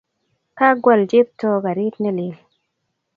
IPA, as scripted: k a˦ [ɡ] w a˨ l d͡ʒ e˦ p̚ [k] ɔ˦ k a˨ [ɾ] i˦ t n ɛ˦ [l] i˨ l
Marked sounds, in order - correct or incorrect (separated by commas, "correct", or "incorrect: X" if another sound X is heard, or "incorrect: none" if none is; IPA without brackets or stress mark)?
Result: correct, incorrect: t, correct, correct